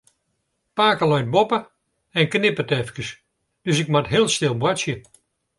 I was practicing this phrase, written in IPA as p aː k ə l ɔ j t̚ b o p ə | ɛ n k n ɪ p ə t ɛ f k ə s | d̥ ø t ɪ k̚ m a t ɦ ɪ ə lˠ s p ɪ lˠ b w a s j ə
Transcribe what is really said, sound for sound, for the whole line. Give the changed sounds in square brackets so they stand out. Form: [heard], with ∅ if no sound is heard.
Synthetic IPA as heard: p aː k ə l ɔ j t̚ b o p ə | ɛ n k n ɪ p ə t ɛ f k ə s | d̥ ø [s] ɪ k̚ m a t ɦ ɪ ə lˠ s [t] ɪ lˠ b w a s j ə

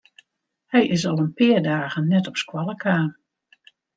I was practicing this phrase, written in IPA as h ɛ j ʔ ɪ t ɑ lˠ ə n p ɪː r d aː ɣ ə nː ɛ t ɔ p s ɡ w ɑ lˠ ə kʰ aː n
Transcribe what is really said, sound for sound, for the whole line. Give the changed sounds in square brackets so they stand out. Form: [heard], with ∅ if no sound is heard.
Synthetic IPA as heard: h ɛ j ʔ ɪ [s] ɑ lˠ ə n p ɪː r d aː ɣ ə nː ɛ t ɔ p s [k] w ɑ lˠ ə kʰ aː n

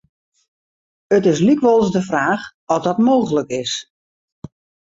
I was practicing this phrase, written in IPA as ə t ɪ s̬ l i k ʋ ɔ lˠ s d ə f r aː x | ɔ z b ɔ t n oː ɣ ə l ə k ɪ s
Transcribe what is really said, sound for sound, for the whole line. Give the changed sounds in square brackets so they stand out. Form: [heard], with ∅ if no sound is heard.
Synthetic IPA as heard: ə t ɪ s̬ l i k ʋ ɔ lˠ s d ə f r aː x | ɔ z [d] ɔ t [m] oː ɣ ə l ə k ɪ s

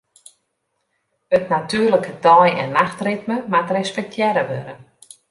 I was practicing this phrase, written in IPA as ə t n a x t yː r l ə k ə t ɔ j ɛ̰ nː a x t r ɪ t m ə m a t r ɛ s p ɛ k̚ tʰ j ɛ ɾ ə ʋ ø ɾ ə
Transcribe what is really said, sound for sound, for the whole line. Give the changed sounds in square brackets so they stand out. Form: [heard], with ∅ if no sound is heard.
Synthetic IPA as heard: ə t n a [∅] t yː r l ə k ə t ɔ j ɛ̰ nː a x t r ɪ t m ə m a t r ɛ s p ɛ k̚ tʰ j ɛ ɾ ə ʋ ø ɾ ə

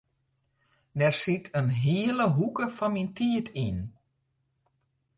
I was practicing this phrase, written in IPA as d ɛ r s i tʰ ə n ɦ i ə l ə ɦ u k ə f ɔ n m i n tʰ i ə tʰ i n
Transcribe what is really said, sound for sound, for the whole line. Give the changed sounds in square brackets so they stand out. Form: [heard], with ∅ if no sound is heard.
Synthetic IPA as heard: d ɛ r s i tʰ ə n ɦ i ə l ə ɦ u k ə f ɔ n m i n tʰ i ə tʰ i n

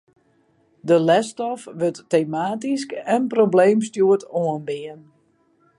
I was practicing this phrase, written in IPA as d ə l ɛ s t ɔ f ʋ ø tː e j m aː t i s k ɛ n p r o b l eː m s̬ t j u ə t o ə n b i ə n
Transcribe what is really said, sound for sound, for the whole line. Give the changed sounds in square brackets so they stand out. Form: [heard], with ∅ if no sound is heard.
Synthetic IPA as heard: d ə l ɛ s t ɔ f ʋ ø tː e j m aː t i s k ɛ n p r o b l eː m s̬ t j u ə t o ə n b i ə n

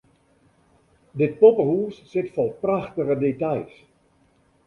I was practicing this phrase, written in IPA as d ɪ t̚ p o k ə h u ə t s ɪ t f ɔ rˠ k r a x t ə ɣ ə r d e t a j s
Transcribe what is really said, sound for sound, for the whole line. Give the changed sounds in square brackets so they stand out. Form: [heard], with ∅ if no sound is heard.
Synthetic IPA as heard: d ɪ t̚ p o [p] ə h u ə [s] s ɪ t f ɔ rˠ [p] r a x t ə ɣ ə [∅] d e t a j s

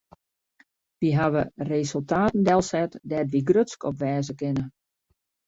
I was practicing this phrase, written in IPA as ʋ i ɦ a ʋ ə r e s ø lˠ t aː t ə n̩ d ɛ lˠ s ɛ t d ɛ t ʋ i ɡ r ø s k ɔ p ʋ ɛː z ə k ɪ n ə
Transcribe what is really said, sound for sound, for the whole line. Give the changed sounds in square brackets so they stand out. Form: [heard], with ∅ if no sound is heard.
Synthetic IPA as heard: ʋ i ɦ a ʋ ə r e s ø lˠ t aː t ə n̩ d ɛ lˠ s ɛ t d ɛ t ʋ i ɡ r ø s k ɔ p ʋ ɛː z ə k ɪ n ə

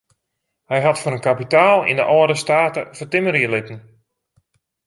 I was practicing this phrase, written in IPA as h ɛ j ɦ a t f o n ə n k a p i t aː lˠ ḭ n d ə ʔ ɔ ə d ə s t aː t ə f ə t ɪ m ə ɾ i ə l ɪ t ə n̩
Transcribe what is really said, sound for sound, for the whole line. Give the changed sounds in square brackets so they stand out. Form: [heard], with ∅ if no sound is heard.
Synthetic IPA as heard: h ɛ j ɦ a t f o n ə n k a p i t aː lˠ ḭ n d ə ʔ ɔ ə d ə s t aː t ə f ə t ɪ m ə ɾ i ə l ɪ t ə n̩

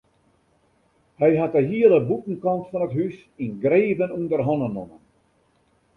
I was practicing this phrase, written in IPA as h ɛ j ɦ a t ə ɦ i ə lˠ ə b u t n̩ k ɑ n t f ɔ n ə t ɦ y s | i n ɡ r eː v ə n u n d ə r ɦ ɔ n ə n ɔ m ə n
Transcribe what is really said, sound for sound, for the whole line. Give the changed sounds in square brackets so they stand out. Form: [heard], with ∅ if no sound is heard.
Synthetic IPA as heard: h ɛ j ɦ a t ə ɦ i ə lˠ ə b u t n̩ k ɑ n t f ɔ n ə t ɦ y s | i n ɡ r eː v ə n u n d ə r ɦ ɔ n ə n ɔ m ə n

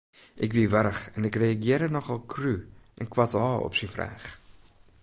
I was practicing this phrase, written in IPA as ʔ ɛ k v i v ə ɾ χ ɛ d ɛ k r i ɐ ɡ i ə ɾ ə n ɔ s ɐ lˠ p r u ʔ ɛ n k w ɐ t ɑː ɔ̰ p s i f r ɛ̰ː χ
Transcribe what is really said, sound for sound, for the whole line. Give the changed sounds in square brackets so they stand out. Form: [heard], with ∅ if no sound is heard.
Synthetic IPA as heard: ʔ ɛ k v i v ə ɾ χ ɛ [n] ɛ k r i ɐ ɡ i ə ɾ ə n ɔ [χ] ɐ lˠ [k] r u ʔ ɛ n k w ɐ t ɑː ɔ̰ p s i f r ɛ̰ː χ

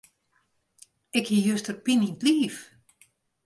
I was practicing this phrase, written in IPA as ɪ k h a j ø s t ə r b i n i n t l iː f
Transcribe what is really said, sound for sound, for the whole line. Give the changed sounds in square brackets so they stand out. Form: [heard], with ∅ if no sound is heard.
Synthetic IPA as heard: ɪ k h [i] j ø s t ə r [p] i n i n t l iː f

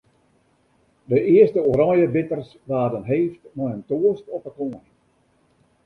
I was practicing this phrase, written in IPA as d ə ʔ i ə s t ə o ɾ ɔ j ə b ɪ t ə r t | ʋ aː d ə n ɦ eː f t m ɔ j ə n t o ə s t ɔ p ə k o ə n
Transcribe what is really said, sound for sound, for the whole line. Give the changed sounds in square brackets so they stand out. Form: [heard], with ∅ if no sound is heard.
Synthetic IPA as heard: d ə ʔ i ə s t ə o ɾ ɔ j ə b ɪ t ə r [s] | ʋ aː d ə n ɦ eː f t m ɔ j ə n t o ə s t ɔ p ə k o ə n

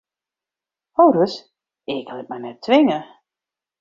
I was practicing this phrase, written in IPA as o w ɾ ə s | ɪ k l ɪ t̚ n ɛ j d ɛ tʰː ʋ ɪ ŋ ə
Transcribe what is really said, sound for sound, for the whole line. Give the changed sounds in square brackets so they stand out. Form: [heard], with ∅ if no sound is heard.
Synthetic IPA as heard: o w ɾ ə s | ɪ k l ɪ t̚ [m] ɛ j [n] ɛ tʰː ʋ ɪ ŋ ə

